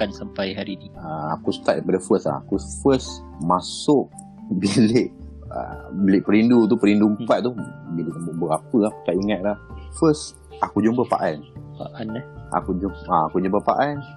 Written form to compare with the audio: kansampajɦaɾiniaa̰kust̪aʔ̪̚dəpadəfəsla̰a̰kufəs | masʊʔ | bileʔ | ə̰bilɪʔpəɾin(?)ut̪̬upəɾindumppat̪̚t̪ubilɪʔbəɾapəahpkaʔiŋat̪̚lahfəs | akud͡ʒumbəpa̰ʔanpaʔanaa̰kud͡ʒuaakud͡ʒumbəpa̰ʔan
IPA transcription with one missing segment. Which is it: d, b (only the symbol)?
d